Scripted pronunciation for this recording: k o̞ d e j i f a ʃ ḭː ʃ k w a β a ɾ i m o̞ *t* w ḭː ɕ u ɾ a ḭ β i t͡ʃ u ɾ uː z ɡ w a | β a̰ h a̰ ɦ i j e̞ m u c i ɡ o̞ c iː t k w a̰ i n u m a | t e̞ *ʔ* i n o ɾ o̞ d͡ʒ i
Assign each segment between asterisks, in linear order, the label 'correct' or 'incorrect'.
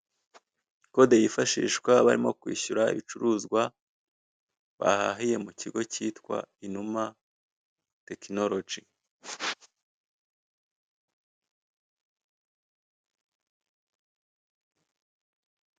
incorrect, incorrect

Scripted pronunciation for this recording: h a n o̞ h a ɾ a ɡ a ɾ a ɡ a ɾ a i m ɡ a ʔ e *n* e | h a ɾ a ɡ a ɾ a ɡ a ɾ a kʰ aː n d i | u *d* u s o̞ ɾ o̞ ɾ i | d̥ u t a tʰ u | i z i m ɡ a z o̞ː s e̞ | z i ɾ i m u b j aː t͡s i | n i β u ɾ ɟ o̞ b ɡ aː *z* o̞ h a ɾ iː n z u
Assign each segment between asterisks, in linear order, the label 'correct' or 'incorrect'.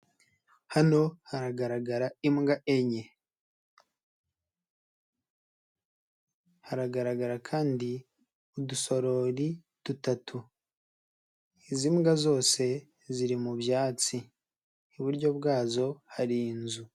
incorrect, correct, correct

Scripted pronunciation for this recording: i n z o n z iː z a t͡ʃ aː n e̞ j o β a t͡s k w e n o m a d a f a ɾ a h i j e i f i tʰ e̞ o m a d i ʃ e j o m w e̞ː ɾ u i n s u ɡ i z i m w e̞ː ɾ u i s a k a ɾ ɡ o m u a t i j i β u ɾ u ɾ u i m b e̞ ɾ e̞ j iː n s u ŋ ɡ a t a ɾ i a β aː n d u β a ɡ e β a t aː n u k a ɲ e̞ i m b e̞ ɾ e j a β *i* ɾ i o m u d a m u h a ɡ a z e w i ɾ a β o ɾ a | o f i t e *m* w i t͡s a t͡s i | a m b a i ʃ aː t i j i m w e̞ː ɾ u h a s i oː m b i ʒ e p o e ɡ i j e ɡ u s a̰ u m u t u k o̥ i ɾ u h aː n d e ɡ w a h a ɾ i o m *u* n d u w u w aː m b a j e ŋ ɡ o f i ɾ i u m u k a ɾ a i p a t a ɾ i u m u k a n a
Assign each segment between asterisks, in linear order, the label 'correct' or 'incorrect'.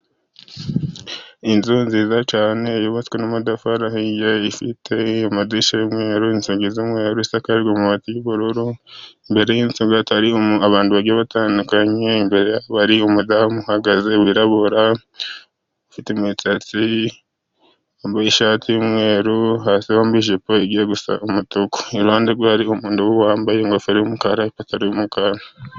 incorrect, correct, incorrect

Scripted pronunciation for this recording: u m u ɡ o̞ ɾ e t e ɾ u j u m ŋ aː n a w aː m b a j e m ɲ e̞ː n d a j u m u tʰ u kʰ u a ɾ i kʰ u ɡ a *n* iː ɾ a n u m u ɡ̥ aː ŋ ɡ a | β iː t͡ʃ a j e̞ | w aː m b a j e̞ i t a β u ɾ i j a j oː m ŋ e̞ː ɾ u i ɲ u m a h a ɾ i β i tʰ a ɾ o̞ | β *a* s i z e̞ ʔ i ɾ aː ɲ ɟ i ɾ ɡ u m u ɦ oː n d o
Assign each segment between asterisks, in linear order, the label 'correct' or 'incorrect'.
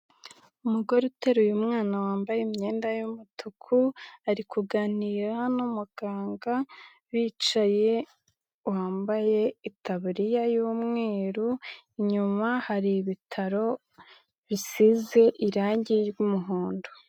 correct, incorrect

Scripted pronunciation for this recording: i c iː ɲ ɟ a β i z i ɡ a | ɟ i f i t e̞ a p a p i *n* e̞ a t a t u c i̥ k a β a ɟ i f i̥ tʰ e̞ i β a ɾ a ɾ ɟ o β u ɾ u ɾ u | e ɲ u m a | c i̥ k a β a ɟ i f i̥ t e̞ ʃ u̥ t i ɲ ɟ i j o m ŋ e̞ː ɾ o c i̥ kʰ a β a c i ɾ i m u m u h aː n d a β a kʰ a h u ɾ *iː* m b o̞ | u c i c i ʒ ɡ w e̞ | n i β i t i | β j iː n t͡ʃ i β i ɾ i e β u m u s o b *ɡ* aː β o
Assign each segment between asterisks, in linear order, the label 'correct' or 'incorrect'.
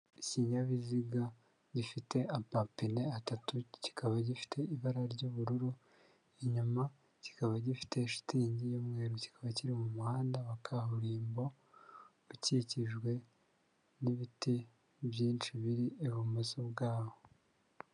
correct, correct, correct

